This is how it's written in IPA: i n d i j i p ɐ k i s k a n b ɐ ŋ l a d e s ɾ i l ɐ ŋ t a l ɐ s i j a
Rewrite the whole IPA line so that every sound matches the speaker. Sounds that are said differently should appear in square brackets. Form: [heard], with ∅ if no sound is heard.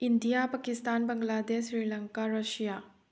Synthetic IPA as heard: i n d i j [a] p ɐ k i s [t] a n b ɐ ŋ l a d e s ɾ i l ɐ ŋ [k] a [ɾ] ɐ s i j a